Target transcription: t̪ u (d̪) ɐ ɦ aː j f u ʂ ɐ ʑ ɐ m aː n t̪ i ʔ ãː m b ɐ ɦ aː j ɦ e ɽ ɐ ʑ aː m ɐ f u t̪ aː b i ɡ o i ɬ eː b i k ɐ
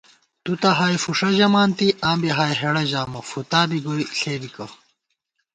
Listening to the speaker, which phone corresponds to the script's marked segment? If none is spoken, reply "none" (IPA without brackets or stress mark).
t̪